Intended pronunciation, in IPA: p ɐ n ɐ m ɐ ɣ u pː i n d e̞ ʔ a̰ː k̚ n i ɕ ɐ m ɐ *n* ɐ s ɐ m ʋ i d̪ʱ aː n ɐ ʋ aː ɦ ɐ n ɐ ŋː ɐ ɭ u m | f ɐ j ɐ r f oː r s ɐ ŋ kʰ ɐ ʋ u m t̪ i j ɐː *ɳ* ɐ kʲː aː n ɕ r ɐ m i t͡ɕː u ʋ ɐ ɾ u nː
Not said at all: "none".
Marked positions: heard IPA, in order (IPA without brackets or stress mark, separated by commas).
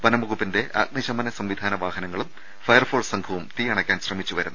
n, ɳ